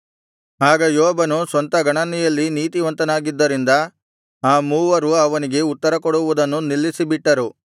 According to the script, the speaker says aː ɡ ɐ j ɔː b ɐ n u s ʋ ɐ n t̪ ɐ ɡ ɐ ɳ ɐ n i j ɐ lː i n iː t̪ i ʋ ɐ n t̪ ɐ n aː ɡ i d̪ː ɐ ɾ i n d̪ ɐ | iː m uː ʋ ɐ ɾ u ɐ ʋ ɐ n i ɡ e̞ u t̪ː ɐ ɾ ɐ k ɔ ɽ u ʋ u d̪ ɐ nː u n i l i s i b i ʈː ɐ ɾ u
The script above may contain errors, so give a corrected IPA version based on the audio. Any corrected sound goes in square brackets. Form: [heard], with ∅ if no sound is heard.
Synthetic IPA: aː ɡ ɐ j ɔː b ɐ n u s ʋ ɐ n t̪ ɐ ɡ ɐ ɳ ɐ n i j ɐ lː i n iː t̪ i ʋ ɐ n t̪ ɐ n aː ɡ i d̪ː ɐ ɾ i n d̪ ɐ | [aː] m uː ʋ ɐ ɾ u ɐ ʋ ɐ n i ɡ e̞ u t̪ː ɐ ɾ ɐ k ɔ ɽ u ʋ u d̪ ɐ nː u n i [lː] i s i b i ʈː ɐ ɾ u